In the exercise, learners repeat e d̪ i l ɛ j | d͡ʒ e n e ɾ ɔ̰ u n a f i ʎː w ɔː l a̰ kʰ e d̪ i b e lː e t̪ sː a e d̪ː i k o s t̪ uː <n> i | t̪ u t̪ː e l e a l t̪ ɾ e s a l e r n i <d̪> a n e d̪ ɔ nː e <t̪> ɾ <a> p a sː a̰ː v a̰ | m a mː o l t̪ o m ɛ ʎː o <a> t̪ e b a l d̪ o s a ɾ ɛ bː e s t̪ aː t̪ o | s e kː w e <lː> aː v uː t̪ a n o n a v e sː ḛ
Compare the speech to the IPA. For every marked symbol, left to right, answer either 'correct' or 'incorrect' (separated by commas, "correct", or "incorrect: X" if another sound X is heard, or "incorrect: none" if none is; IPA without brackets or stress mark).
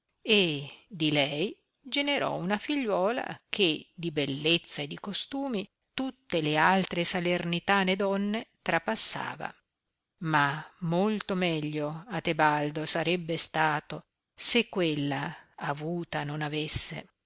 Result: incorrect: m, incorrect: t̪, correct, correct, correct, correct